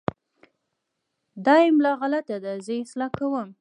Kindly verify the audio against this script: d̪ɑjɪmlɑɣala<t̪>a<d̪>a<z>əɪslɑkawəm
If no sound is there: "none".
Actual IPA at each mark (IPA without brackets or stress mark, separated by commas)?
t̪, d̪, z